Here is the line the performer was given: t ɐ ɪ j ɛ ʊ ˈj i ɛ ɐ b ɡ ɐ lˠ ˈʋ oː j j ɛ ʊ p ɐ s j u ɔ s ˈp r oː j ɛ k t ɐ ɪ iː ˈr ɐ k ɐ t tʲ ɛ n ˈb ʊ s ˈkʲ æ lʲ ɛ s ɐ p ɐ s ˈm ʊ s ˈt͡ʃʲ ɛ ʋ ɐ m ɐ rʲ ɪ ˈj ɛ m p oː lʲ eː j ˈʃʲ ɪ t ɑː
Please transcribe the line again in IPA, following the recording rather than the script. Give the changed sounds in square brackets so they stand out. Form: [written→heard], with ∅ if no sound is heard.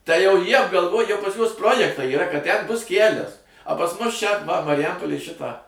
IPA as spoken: t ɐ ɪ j ɛ ʊ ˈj i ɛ ɐ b ɡ ɐ lˠ ˈʋ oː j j ɛ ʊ p ɐ s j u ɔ s ˈp r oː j ɛ k t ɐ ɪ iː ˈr ɐ k ɐ t tʲ ɛ n ˈb ʊ s ˈkʲ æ lʲ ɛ s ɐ p ɐ s ˈm ʊ s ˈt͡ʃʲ ɛ ʋ ɐ m ɐ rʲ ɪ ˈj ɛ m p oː lʲ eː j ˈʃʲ ɪ t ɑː